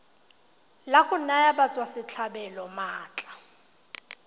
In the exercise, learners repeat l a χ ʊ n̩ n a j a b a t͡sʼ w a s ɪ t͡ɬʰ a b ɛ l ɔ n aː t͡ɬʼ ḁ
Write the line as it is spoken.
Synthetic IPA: l a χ ʊ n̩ n a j a b a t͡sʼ w a s ɪ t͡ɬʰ a b ɛ l ɔ m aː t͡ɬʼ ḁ